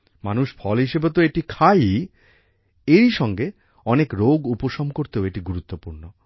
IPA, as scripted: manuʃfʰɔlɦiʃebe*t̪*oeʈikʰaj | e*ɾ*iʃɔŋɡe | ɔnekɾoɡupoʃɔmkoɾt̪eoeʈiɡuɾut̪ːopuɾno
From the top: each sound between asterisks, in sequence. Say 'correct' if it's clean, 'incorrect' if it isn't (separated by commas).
correct, correct